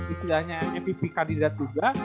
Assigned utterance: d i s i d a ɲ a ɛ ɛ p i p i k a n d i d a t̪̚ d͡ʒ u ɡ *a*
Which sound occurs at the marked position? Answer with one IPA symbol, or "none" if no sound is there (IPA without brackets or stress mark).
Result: a